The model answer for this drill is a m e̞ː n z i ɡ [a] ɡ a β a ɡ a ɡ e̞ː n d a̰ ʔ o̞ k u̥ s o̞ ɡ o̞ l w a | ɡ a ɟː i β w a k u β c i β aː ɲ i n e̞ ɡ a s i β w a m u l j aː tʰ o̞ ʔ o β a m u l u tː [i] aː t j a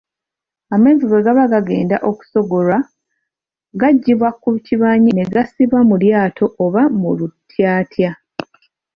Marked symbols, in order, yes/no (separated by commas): no, no